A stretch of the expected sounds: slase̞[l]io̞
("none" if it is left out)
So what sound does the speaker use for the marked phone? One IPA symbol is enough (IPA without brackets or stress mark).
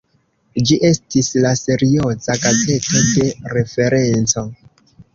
ɾ